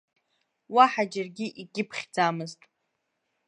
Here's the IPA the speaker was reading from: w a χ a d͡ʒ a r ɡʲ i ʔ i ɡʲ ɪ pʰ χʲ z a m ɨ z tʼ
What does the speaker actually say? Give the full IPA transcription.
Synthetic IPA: w a ħ a d͡ʒ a r ɡʲ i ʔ i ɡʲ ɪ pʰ χʲ d͡z a m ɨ z tʼ

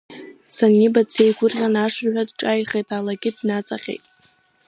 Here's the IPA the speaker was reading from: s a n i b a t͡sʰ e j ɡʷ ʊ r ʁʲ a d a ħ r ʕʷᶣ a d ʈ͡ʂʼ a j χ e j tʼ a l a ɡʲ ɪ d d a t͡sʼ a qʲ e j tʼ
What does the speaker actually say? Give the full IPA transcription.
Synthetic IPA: s a n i b a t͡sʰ e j ɡʷ ʊ r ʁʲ a n a ʂ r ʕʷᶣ a d ʈ͡ʂʼ a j χ e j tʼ a l a ɡʲ ɪ d n a t͡sʼ a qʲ e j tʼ

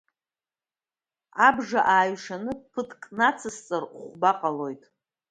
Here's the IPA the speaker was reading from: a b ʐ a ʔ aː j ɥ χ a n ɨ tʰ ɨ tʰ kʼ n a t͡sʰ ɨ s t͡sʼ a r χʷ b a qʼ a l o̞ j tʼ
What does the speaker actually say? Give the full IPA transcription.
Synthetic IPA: a b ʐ a ʔ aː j ɥ ʂ a n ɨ pʰ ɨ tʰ kʼ n a t͡sʰ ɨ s t͡sʼ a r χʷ b a qʼ a l o̞ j tʼ

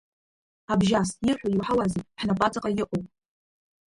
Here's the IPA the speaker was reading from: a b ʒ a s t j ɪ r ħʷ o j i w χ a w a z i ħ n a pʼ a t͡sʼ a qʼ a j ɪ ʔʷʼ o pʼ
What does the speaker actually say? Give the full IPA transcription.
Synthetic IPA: a b ʒ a s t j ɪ r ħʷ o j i w ħ a w a z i ħ n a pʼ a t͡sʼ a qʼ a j ɪ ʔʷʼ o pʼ

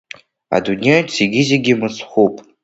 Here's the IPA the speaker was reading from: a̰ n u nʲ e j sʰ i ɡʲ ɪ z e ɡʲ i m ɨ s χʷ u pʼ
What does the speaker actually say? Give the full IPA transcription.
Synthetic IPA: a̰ d u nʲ e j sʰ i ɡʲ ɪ z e ɡʲ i m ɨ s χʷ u pʼ

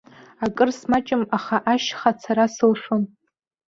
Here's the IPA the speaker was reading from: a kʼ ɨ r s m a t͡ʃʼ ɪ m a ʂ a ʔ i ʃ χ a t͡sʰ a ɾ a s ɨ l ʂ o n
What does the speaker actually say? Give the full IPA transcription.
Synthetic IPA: a kʼ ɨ r s m a t͡ʃʼ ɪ m a χ a ʔ a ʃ χ a t͡sʰ a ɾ a s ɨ l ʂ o n

